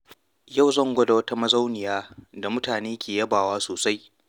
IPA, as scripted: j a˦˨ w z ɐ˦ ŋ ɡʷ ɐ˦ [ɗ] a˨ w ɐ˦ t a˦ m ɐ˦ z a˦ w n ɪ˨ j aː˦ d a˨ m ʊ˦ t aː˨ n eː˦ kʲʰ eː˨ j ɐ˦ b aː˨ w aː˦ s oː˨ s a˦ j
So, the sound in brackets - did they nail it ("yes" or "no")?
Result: no